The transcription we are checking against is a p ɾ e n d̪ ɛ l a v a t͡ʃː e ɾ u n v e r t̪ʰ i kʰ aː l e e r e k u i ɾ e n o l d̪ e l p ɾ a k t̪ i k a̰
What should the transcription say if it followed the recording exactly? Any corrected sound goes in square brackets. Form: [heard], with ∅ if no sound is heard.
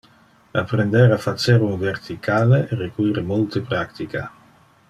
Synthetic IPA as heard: a p ɾ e n d̪ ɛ [ɾ] a [f] a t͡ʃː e ɾ u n v e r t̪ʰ i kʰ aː l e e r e k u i ɾ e [m] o l [t̪] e [∅] p ɾ a k t̪ i k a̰